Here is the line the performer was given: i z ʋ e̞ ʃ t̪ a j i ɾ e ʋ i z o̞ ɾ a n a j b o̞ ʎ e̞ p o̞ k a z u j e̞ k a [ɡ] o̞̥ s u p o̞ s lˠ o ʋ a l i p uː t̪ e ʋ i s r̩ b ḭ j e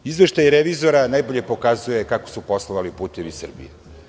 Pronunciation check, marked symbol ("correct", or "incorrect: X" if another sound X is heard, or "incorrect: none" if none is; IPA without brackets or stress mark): incorrect: k